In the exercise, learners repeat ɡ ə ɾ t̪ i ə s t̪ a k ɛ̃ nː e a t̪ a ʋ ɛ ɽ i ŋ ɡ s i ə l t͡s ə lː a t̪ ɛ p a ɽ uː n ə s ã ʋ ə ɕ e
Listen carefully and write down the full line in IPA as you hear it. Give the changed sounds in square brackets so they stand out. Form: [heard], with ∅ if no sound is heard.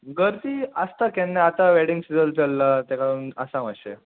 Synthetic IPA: ɡ ə ɾ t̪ i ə s t̪ a k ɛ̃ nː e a t̪ a ʋ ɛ ɽ i ŋ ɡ s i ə l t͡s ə lː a t̪ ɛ [k] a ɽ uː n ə s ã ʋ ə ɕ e